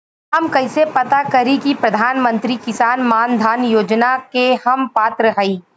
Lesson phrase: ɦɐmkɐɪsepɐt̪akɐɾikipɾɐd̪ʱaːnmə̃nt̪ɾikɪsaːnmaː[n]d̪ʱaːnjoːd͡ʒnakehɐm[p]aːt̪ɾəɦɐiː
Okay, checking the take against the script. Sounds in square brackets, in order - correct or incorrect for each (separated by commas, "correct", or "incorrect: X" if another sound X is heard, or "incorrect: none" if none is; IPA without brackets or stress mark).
correct, correct